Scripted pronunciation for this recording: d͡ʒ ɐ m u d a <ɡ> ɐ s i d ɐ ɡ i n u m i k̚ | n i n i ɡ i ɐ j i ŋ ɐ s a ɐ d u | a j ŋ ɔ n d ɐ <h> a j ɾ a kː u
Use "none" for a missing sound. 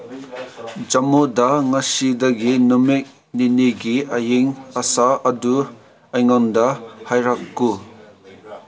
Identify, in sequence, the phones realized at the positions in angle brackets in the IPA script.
ŋ, h

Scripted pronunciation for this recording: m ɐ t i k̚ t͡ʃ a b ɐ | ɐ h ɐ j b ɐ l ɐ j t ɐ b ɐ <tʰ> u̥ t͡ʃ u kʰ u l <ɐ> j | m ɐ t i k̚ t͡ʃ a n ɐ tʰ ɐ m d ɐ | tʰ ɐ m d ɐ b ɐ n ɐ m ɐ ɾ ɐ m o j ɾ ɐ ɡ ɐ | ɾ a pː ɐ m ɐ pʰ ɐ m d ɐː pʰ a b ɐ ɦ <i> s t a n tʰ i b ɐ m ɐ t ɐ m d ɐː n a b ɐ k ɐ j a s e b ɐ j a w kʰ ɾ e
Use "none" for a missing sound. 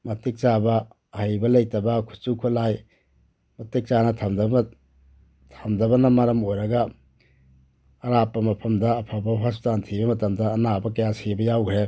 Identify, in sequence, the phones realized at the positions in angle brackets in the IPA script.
kʰ, a, a

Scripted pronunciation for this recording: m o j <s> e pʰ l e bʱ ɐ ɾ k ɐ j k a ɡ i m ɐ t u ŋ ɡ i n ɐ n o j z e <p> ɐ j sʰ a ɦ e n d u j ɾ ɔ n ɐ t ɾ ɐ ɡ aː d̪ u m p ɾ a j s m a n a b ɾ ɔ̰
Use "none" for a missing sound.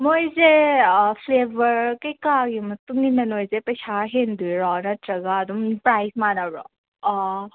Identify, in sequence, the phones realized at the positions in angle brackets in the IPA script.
z, p

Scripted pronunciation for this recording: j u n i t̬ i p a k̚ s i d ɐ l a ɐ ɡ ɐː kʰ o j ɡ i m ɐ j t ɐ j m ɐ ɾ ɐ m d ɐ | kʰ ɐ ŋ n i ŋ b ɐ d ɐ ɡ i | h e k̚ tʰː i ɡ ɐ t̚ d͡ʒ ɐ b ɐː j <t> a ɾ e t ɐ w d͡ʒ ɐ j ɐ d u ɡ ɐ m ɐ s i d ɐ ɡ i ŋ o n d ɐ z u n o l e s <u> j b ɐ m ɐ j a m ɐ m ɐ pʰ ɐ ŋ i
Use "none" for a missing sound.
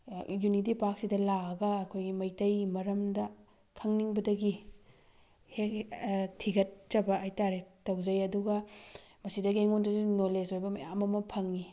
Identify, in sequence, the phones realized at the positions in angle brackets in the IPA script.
t, o

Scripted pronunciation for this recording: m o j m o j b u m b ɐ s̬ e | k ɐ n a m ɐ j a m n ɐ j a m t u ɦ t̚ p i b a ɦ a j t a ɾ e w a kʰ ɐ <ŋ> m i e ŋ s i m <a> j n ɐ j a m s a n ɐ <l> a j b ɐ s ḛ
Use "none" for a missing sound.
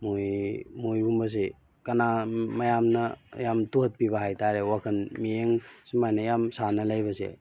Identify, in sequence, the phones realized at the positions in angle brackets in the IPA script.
n, a, l

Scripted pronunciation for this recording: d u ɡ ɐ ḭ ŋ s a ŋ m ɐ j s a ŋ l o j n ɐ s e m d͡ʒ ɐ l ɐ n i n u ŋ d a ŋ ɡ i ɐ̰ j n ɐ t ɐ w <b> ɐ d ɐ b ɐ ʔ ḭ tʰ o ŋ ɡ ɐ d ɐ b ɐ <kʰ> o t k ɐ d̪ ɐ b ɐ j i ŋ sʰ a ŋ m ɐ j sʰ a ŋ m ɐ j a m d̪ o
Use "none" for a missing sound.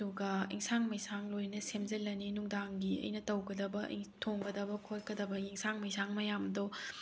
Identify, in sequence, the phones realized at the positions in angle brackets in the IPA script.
ɡ, kʰ

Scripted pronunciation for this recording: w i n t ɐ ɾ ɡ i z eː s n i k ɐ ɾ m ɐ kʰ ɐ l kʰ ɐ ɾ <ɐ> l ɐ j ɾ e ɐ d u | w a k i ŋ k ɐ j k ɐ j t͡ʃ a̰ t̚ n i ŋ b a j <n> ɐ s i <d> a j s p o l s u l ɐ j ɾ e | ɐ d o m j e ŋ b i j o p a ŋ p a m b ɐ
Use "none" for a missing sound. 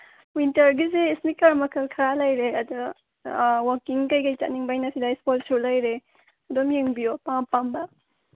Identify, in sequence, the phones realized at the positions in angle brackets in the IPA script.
a, n, d

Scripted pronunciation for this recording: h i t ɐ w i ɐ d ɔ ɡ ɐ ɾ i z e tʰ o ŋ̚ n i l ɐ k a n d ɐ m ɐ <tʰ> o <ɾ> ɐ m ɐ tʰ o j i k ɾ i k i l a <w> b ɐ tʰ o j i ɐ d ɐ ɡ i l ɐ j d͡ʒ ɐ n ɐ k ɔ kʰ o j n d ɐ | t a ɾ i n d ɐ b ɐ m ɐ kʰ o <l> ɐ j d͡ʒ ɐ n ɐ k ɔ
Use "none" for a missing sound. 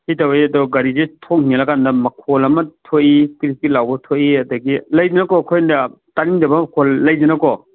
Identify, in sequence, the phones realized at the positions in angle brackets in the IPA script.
kʰ, l, w, lː

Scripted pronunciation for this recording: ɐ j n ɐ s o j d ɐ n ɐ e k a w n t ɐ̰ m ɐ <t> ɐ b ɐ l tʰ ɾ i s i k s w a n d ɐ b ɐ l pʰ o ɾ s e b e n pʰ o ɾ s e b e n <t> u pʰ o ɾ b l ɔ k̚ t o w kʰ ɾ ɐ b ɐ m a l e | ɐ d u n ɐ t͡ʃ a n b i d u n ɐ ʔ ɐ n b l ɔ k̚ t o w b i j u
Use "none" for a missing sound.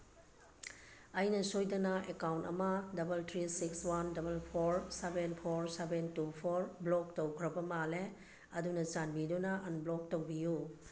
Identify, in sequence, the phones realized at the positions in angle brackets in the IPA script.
d, t

